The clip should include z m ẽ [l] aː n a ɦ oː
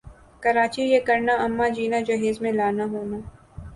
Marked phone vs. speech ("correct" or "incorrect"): correct